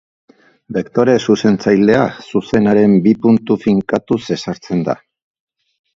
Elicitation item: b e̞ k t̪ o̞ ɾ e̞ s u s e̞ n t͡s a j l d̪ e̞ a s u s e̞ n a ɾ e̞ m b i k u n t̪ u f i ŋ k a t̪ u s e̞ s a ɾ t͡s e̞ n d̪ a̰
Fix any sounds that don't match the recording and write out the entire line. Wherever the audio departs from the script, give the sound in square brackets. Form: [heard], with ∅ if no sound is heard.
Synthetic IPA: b e̞ k t̪ o̞ ɾ e̞ s u s e̞ n t͡s a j l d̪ e̞ a s u s e̞ n a ɾ e̞ m b i [p] u n t̪ u f i ŋ k a t̪ u s e̞ s a ɾ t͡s e̞ n d̪ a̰